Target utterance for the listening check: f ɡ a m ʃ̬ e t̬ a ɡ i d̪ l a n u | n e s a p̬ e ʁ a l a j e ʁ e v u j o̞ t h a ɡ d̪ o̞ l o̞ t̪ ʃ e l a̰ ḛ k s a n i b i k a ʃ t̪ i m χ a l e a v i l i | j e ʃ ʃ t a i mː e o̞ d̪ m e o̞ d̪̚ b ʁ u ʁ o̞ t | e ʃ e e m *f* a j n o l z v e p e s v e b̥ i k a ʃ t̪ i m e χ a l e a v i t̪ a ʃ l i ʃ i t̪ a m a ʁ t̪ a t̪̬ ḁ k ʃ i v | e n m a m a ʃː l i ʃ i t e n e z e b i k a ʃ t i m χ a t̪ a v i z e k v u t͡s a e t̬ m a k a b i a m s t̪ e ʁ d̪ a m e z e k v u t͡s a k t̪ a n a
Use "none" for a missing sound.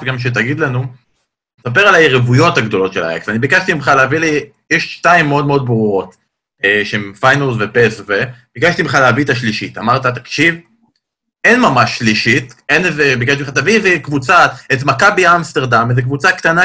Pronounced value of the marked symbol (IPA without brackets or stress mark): f